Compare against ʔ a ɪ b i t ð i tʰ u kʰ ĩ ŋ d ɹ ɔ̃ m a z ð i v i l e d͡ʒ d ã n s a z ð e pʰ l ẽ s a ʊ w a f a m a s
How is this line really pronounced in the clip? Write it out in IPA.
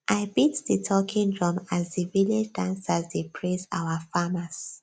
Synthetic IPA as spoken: ʔ a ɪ b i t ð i tʰ ɔ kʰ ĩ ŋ d ɹ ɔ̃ m a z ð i v i l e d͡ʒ d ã n s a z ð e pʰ ɹ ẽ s a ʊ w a f a m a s

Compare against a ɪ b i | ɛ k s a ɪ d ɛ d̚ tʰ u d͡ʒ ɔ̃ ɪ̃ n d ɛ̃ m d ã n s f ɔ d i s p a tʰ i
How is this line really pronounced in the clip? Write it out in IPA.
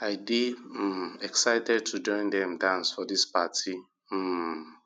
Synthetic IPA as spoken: a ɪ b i | ɛ k s a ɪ t ɛ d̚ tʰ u d͡ʒ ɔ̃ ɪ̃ n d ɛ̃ m d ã n s f ɔ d i s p a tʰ i

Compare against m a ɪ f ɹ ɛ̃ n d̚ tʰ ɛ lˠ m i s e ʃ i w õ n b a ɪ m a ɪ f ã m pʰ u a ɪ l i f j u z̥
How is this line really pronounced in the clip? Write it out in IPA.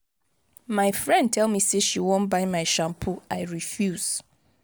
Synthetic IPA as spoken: m a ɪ f ɹ ɛ̃ n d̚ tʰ ɛ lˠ m i s e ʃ i w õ n b a ɪ m a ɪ ʃ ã m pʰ u a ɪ ɹ i f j u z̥

